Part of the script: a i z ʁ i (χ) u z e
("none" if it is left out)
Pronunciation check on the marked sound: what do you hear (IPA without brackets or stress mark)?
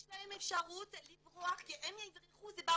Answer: χ